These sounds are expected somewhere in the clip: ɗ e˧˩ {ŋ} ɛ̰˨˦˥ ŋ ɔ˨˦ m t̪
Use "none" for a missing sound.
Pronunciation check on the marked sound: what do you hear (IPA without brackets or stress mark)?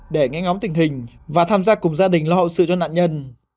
ŋ